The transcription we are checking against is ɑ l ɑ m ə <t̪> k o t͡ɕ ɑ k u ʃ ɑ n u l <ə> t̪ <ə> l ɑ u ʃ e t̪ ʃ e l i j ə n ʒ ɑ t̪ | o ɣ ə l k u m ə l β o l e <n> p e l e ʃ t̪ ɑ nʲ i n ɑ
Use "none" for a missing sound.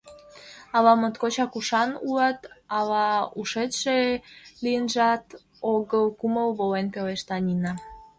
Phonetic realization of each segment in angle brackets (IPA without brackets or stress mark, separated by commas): t̪, ɑ, ɑ, n